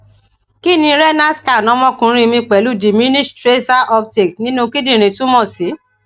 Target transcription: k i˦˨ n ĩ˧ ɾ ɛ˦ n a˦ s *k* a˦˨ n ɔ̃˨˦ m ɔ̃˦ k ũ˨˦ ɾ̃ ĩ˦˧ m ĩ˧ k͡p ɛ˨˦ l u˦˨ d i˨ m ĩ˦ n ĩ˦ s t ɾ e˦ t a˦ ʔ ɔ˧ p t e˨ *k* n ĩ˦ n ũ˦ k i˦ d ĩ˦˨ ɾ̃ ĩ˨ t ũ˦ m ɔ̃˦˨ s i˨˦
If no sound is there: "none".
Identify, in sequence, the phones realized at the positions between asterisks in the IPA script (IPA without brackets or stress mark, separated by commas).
k, k